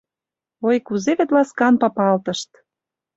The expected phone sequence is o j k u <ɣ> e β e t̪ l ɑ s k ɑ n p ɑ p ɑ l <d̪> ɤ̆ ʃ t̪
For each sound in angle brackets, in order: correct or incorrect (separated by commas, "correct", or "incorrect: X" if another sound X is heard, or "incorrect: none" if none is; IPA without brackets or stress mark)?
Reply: incorrect: z, incorrect: t̪